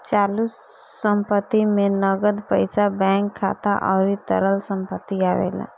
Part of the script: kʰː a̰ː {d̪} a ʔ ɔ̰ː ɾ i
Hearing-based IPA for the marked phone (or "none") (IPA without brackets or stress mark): t̪